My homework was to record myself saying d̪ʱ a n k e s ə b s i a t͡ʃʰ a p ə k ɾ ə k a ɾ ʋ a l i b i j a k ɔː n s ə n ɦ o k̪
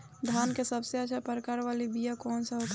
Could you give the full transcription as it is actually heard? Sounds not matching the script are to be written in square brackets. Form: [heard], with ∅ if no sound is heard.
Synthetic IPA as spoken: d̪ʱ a n k e s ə b s [e] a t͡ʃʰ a p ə [∅] ɾ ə k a ɾ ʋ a l i b i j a k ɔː n s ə [∅] ɦ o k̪

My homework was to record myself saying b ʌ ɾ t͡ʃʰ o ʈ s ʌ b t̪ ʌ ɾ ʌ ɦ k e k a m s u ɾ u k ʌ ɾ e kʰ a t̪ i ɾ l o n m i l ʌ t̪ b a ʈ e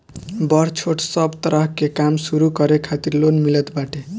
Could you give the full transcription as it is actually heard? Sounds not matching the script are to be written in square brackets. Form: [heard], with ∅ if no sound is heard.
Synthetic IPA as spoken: b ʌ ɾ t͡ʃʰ o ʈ s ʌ b t̪ ʌ ɾ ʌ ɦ k e k a m s u ɾ u k ʌ ɾ e kʰ a t̪ i ɾ l o n m i l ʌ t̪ b a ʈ e

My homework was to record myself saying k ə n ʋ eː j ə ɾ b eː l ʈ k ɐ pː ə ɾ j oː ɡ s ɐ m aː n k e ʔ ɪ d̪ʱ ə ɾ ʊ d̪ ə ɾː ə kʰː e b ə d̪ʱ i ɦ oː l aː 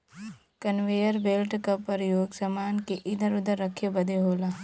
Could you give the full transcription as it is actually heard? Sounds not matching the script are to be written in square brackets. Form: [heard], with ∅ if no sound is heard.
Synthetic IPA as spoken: k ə n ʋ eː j ə ɾ b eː l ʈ k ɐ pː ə ɾ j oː ɡ s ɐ m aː n k e ʔ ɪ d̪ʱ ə ɾ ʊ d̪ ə ɾː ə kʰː e b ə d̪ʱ [e] ɦ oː l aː

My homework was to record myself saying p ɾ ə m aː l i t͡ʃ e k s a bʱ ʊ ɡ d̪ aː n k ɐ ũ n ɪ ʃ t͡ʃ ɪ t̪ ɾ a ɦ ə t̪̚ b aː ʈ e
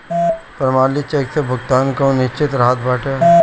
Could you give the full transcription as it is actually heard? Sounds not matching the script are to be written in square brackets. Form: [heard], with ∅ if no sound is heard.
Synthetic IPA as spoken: p ɾ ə m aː l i t͡ʃ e k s [e] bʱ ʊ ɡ [t̪] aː n k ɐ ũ n ɪ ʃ t͡ʃ ɪ t̪ ɾ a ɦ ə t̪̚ b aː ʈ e

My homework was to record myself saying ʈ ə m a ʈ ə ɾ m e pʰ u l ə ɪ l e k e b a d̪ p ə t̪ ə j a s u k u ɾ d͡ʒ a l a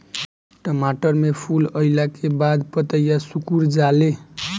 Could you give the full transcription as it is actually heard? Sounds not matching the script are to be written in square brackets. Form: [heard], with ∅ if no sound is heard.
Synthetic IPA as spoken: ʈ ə m a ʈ ə ɾ m e pʰ u l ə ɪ l [a] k e b a d̪ p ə t̪ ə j a s u k u ɾ d͡ʒ a l [e]

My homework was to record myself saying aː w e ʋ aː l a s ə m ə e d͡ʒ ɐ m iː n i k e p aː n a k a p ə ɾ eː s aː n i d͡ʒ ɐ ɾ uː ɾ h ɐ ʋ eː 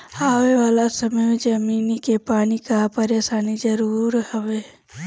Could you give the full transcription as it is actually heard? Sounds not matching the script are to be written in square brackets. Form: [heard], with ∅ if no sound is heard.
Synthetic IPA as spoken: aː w e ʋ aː l a s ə m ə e d͡ʒ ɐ m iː n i k e p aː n [i] k a p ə ɾ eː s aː n i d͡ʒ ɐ ɾ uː ɾ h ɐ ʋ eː

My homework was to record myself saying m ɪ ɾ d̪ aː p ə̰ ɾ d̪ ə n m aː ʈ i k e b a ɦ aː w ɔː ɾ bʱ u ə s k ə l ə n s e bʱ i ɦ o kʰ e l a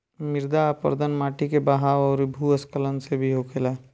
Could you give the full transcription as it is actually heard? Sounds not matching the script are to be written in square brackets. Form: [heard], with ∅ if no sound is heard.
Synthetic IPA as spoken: m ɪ ɾ d̪ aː p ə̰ ɾ d̪ ə n m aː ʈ i k e b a ɦ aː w ɔː ɾ bʱ u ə s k ə l ə n s e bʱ i ɦ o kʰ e l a

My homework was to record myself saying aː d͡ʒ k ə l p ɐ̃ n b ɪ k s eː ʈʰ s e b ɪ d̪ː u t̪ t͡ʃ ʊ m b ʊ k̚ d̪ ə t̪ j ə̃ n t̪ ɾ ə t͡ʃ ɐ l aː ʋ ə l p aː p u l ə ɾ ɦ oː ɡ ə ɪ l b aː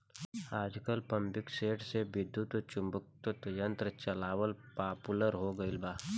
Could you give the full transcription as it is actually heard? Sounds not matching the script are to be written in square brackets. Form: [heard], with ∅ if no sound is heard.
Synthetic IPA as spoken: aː d͡ʒ k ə l p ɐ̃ [m] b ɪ k s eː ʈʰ s e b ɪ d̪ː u t̪ t͡ʃ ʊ m b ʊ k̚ [t̪] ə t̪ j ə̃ n t̪ ɾ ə t͡ʃ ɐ l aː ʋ ə l p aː p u l ə ɾ ɦ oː ɡ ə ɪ l b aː

